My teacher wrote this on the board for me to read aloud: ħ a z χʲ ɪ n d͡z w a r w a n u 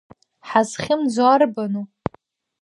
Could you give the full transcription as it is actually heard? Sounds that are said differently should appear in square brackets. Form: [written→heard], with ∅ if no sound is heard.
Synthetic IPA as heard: ħ a z χʲ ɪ [n→m] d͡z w a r [w→b] a n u